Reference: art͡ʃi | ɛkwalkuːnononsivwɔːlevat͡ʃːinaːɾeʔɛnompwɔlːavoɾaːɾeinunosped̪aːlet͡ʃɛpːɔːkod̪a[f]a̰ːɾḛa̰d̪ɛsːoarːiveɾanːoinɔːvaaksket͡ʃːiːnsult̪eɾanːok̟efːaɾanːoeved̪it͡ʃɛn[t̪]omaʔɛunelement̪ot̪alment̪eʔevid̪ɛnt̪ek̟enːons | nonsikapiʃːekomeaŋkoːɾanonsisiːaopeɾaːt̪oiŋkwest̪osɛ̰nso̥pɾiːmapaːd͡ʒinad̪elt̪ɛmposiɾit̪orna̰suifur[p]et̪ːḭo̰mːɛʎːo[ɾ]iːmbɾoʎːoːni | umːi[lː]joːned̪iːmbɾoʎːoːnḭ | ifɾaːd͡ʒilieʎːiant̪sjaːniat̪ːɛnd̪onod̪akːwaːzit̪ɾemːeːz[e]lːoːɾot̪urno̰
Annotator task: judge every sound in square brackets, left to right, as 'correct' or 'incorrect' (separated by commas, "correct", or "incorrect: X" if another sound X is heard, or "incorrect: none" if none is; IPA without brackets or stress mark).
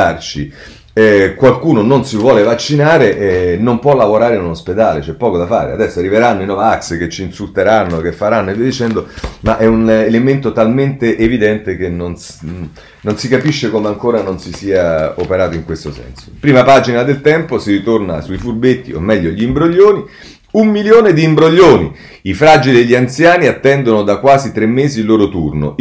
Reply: correct, incorrect: d̪, incorrect: b, incorrect: ʎ, incorrect: l, incorrect: i